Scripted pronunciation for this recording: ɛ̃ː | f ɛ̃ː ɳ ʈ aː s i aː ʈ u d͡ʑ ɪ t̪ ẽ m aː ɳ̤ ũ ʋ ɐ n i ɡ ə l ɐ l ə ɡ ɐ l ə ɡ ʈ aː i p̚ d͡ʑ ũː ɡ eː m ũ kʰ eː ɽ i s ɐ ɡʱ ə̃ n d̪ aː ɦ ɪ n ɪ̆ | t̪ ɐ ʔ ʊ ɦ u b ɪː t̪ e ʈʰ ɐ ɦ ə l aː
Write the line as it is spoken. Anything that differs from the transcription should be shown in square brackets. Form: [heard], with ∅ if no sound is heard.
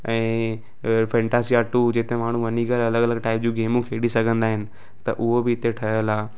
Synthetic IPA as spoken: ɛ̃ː | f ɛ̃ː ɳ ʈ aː s i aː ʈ u d͡ʑ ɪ t̪ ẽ m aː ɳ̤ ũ ʋ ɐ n i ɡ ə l ɐ l ə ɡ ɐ l ə ɡ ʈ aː [ɪ] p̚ d͡ʑ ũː ɡ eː m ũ kʰ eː ɽ i s ɐ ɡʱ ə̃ n d̪ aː ɦ ɪ n ɪ̆ | t̪ ɐ ʔ ʊ ɦ [o] b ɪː t̪ e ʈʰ ɐ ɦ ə l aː